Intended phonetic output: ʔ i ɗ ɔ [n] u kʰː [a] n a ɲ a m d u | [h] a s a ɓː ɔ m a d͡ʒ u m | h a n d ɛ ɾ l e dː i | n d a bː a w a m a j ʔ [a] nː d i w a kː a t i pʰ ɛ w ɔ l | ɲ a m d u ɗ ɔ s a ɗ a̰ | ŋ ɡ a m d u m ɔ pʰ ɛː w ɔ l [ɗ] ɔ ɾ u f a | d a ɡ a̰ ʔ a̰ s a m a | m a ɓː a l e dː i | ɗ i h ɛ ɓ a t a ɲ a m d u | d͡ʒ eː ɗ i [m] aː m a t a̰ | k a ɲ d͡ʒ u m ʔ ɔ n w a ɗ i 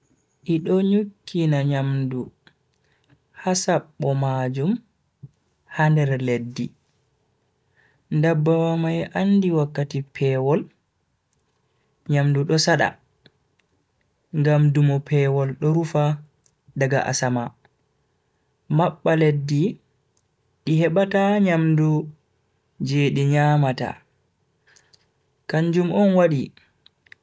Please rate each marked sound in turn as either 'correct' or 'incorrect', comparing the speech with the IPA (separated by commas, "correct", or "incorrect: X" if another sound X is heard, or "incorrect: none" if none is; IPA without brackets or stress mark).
incorrect: ɲ, incorrect: i, correct, correct, correct, incorrect: ɲ